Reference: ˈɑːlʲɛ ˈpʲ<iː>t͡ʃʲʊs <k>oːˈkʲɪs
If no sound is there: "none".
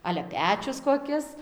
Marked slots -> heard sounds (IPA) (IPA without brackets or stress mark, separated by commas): æː, k